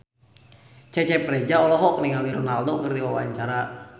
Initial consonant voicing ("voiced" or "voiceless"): voiceless